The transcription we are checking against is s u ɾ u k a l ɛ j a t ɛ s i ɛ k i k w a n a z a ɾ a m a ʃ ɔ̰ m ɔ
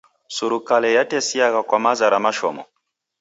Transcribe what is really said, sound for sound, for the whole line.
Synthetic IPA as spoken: s u ɾ u k a l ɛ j a t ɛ s i a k a k w a m a z a ɾ a m a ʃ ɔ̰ m ɔ